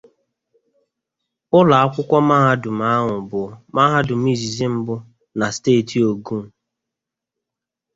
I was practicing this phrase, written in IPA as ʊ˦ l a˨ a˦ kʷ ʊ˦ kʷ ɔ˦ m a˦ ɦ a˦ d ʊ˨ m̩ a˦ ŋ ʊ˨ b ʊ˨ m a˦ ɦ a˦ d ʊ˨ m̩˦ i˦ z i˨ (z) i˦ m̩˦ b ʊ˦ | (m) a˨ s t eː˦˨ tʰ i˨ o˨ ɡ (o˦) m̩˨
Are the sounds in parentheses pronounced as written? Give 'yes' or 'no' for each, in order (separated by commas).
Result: yes, no, no